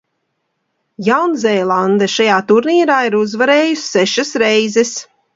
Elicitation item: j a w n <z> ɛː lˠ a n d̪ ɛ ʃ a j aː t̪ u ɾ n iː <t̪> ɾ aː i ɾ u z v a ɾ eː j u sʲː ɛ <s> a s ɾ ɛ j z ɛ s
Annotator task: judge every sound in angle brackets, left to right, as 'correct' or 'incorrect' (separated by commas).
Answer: correct, incorrect, incorrect